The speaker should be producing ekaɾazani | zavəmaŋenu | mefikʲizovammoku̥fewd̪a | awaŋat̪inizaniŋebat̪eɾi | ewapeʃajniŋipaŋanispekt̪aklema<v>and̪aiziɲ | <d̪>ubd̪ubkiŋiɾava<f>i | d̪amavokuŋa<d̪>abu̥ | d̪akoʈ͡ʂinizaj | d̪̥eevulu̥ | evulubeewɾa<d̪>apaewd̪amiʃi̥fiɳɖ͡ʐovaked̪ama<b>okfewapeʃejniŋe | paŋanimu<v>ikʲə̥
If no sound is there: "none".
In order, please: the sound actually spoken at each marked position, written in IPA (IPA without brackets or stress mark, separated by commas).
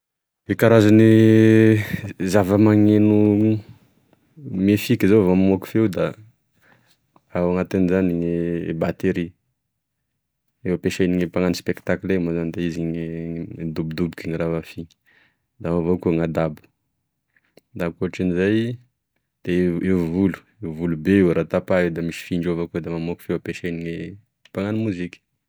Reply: z, d̪, f, d̪, t̪, m, z